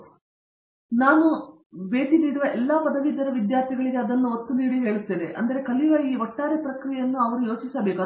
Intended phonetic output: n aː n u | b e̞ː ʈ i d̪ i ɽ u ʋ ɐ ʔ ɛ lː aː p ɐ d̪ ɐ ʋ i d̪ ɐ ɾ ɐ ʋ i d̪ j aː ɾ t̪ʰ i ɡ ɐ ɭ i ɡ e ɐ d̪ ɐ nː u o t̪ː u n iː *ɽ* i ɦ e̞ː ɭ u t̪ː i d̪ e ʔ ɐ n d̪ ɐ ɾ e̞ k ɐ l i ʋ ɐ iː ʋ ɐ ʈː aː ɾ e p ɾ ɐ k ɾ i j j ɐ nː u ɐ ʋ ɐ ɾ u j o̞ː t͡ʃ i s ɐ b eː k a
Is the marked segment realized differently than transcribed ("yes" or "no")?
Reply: no